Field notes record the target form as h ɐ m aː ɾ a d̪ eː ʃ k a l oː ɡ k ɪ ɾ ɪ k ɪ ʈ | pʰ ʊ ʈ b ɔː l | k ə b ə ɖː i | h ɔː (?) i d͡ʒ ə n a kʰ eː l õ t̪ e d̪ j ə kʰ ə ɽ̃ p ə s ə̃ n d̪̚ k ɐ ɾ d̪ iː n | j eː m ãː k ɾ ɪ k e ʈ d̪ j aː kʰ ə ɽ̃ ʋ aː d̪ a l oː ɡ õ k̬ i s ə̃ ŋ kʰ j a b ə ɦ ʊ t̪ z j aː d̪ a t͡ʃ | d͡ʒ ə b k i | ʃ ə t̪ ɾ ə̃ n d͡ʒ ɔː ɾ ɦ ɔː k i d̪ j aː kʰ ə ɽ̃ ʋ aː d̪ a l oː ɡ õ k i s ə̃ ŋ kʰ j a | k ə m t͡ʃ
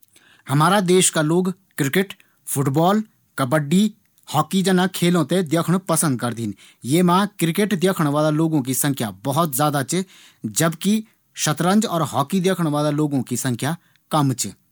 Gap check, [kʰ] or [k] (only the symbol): k